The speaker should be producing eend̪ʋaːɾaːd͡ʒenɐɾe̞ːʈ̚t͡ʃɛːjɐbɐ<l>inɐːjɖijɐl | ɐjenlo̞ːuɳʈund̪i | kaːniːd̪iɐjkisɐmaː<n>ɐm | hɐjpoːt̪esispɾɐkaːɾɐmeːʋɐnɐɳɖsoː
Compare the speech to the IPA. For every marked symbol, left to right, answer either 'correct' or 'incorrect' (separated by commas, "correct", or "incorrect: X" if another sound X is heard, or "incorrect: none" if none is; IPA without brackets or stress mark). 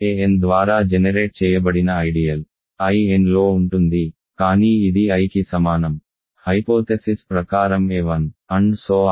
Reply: incorrect: ɽ, correct